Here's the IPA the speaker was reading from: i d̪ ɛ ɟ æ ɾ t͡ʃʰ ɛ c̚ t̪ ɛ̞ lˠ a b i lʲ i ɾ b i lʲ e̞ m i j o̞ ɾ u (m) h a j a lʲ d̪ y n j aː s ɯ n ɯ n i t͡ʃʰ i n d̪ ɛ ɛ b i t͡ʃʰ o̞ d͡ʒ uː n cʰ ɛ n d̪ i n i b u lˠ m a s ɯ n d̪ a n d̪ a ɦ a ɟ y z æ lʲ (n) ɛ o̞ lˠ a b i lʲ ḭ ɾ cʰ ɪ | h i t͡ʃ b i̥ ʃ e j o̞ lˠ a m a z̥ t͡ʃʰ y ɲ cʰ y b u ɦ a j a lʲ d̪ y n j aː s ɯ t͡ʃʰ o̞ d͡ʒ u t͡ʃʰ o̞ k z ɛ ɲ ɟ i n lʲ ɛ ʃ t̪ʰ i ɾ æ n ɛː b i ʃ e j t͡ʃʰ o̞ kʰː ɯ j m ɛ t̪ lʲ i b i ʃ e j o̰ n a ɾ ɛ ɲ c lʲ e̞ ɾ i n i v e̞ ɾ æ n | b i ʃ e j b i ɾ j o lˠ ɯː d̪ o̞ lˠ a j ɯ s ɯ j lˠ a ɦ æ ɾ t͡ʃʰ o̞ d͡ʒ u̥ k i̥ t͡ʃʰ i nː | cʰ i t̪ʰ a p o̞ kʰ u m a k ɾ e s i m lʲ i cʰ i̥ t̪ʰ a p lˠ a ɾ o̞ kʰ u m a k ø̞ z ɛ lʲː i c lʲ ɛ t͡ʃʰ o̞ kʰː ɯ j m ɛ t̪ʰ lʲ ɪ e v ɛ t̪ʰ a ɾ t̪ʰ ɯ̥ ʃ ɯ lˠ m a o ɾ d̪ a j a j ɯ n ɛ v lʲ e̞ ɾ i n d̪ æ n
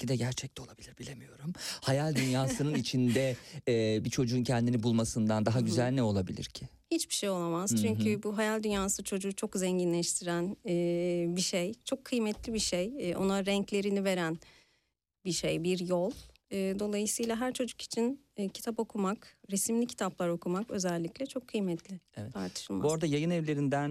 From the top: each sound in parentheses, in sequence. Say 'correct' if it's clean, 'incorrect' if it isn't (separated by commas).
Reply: correct, correct